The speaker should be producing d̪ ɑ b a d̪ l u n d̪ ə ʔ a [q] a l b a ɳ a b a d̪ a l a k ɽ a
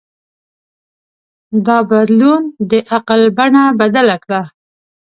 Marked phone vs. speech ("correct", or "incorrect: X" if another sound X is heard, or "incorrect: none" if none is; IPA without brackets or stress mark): correct